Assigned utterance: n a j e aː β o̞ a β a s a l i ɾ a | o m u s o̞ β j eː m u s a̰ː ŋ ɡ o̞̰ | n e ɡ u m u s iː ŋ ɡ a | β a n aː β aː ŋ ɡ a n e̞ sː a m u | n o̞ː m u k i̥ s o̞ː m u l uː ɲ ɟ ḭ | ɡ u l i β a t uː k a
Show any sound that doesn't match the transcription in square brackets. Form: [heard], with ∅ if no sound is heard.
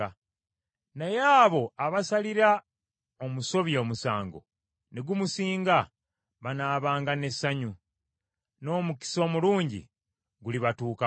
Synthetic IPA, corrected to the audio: n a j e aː β o̞ a β a s a l i ɾ a | o m u s o̞ β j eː m u s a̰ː ŋ ɡ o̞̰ | n e ɡ u m u s iː ŋ ɡ a | β a n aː β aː ŋ ɡ a n e̞ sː a [ɲ] u | n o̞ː m u k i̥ s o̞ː m u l uː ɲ ɟ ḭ | ɡ u l i β a t uː k a